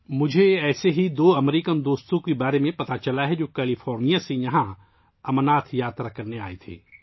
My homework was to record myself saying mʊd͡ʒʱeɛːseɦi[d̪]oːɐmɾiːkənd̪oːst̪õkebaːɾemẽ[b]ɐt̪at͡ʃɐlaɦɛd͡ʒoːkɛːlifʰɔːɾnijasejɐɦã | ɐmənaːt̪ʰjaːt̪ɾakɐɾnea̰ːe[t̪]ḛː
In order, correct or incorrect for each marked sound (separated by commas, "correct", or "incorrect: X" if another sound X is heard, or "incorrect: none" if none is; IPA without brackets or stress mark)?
correct, incorrect: p, incorrect: t̪ʰ